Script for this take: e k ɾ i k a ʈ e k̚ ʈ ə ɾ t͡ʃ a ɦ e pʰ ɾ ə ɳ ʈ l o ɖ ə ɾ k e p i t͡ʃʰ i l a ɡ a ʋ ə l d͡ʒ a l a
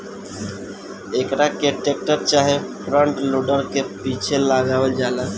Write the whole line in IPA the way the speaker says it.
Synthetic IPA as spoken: e k ɾ a k e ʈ e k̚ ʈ ə ɾ t͡ʃ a ɦ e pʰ ɾ ə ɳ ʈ l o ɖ ə ɾ k e p i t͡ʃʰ e l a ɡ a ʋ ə l d͡ʒ a l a